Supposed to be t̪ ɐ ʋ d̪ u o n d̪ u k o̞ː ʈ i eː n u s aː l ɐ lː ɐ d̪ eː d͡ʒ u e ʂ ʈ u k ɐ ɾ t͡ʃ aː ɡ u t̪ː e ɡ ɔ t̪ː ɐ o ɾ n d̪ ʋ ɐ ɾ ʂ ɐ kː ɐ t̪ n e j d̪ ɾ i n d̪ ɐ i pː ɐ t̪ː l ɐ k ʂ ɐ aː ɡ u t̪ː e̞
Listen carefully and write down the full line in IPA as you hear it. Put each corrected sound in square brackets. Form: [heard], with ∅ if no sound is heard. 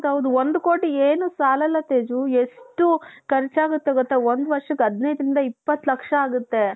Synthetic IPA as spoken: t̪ ɐ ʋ d̪ u o n d̪ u k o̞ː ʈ i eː n u s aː l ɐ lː ɐ [t̪] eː d͡ʒ u e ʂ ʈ u k ɐ ɾ t͡ʃ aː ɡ u t̪ː e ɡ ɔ t̪ː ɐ o [∅] n d̪ ʋ ɐ ɾ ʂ ɐ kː ɐ [d̪] n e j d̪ ɾ i n d̪ ɐ i pː ɐ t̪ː l ɐ k ʂ ɐ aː ɡ u t̪ː e̞